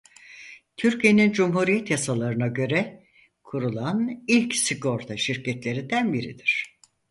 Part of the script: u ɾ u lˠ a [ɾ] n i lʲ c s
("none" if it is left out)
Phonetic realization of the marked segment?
none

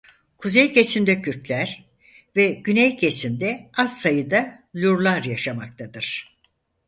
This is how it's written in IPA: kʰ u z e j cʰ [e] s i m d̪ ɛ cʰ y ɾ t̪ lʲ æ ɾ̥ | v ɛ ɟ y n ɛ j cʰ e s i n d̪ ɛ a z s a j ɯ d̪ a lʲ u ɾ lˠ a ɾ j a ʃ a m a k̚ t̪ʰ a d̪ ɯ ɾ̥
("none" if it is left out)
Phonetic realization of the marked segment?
e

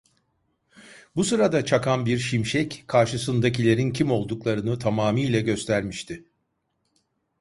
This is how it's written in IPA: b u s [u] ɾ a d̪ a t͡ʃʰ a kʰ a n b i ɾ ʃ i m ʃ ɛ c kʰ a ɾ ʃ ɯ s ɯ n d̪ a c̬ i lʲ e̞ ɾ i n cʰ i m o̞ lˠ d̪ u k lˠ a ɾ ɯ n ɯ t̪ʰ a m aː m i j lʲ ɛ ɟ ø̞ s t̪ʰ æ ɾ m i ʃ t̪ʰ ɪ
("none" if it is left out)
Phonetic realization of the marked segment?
ɯ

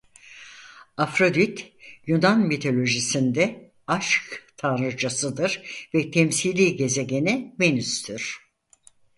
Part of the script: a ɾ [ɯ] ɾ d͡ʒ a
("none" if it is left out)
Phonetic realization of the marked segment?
ɯ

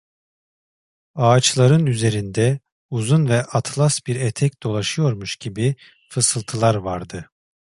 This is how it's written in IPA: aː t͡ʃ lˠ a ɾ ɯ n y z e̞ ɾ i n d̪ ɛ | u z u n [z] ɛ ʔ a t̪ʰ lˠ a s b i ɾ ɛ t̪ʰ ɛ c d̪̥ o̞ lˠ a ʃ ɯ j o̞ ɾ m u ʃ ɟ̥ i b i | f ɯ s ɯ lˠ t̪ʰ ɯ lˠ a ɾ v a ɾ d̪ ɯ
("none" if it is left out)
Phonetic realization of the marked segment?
v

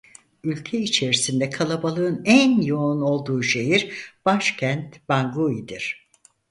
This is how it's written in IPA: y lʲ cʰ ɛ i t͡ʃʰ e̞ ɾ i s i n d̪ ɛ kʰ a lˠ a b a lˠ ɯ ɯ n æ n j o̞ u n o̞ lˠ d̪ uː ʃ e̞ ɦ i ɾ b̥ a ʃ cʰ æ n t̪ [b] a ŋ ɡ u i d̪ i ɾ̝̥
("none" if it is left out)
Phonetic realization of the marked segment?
b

